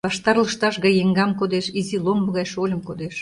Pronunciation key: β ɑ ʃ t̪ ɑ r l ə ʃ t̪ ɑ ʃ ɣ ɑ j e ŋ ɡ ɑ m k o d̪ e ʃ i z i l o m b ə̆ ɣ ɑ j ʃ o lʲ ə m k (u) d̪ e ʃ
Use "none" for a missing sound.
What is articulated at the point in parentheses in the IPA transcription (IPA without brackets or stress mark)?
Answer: o